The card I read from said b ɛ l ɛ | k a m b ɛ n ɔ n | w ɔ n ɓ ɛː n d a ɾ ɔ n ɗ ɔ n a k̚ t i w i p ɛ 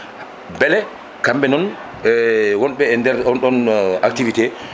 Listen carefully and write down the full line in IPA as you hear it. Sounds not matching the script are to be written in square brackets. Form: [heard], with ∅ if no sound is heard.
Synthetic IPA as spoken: b ɛ l ɛ | k a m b ɛ n ɔ n | w ɔ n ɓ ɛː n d [ɛ] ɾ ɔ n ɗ ɔ n a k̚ t i [v] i [t] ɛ